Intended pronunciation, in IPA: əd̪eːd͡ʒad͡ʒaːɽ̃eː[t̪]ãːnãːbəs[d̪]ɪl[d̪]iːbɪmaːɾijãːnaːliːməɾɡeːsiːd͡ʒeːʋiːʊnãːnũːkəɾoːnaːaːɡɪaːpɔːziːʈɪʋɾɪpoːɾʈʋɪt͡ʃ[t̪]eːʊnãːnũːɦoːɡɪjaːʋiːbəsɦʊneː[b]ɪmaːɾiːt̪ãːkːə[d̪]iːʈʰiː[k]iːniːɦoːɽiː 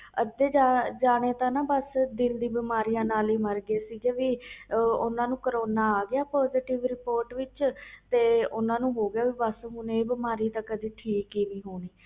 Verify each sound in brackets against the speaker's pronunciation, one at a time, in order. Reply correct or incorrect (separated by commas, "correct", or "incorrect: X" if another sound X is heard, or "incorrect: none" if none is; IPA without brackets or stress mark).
correct, correct, correct, correct, correct, correct, correct